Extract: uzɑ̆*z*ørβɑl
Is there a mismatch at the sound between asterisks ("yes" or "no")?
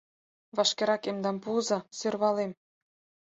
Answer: yes